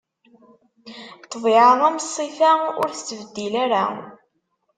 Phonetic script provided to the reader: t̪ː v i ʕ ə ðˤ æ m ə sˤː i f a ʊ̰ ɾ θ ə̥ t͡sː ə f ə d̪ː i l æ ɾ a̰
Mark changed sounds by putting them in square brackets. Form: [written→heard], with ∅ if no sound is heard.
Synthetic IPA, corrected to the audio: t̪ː v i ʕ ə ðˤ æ m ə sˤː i f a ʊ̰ ɾ θ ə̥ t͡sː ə [f→v] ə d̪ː i l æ ɾ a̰